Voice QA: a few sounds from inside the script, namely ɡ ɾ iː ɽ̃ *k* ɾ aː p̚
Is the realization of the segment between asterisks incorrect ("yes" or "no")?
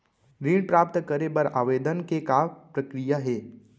yes